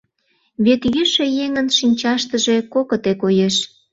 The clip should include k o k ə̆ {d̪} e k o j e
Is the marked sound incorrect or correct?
incorrect: t̪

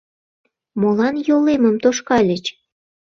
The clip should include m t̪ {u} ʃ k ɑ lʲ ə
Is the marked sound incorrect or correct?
incorrect: o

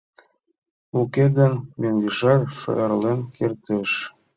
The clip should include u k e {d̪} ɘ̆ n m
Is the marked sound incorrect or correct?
correct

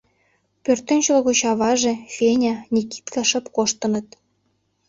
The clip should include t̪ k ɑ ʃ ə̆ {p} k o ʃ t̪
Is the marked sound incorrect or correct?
correct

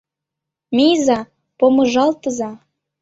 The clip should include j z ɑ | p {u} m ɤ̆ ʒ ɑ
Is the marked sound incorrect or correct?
incorrect: o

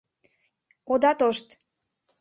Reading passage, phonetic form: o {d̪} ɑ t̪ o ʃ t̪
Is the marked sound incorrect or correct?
correct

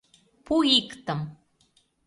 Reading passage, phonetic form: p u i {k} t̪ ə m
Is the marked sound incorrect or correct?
correct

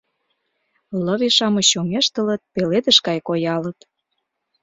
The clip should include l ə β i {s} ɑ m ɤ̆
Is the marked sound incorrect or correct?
incorrect: ʃ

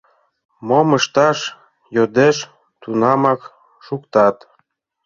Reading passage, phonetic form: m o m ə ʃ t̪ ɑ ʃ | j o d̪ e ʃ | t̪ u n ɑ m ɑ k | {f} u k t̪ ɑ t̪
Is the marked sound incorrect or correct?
incorrect: ʃ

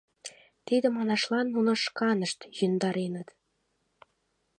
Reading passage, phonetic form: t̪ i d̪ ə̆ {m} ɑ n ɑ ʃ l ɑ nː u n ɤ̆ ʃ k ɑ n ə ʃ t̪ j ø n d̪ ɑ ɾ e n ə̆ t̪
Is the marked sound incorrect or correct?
correct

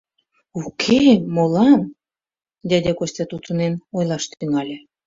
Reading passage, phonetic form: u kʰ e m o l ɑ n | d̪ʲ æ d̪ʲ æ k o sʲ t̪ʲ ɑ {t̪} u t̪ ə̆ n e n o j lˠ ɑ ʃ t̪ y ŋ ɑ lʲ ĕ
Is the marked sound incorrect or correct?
correct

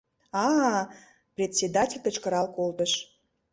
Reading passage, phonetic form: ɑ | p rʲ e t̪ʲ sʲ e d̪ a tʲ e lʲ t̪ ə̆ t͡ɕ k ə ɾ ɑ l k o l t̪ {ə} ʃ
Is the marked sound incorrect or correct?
correct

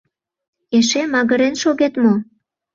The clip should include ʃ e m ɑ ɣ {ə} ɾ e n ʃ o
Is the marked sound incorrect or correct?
correct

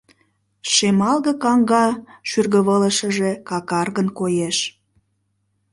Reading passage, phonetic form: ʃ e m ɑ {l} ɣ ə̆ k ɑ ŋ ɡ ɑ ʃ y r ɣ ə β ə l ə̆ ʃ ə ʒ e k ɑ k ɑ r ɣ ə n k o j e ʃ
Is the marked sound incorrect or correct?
correct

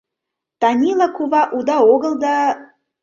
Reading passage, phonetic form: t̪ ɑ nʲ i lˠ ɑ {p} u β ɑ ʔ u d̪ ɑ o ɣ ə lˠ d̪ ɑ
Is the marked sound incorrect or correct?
incorrect: k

